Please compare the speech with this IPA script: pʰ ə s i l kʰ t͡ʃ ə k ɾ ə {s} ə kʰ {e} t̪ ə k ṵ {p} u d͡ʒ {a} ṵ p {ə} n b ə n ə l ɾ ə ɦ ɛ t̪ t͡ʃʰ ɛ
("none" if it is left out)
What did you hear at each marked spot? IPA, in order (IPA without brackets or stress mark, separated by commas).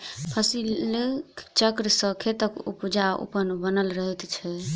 s, e, p, a, ə